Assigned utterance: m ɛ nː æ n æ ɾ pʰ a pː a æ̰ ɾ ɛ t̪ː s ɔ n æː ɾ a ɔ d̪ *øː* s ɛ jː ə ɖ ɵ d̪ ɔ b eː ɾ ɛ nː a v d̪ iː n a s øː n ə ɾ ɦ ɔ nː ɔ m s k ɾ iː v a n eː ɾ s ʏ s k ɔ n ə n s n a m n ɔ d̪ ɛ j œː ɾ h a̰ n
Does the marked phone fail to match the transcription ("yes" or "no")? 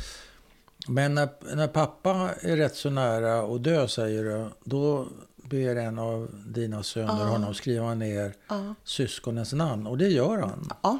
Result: no